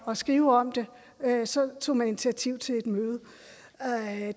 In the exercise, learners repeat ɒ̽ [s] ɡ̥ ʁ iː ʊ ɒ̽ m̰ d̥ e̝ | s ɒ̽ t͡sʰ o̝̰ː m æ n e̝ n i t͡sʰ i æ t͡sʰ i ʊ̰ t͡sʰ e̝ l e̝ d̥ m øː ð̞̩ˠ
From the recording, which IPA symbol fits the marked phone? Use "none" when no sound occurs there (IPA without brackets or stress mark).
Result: s